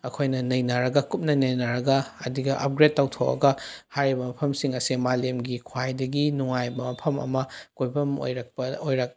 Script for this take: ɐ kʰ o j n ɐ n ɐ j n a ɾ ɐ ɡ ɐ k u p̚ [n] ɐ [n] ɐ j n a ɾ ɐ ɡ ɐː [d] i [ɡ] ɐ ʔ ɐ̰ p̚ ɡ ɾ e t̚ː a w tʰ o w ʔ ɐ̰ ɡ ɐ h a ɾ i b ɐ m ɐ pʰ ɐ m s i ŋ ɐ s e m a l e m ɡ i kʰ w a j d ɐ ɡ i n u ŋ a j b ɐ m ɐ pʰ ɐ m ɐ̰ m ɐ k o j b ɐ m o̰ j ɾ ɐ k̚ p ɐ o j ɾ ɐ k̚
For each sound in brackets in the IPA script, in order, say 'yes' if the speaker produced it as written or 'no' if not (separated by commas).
yes, yes, yes, yes